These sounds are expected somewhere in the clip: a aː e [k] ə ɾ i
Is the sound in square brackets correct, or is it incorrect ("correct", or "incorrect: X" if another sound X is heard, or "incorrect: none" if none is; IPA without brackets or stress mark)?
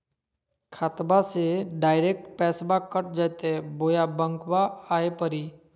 incorrect: p